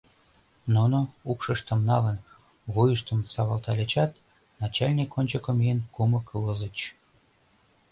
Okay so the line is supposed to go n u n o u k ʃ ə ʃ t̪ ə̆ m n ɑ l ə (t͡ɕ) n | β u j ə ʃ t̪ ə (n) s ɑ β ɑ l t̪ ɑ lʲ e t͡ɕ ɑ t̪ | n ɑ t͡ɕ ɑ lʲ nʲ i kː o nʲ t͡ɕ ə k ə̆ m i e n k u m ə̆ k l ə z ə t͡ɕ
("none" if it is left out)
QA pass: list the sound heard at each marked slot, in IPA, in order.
none, m

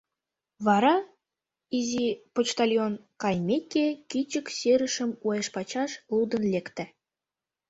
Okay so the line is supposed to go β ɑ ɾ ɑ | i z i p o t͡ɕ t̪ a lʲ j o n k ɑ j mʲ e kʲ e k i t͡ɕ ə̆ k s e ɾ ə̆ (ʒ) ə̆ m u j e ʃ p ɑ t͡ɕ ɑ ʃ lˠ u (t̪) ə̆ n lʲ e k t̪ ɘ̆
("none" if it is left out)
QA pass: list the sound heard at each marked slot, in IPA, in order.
ʃ, d̪

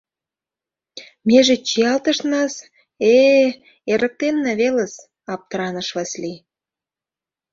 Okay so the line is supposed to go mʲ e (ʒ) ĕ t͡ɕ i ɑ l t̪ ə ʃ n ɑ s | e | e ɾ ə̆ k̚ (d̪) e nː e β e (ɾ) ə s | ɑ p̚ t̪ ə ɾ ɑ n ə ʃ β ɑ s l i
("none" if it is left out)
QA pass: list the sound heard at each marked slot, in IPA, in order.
ʒ, t̪, l

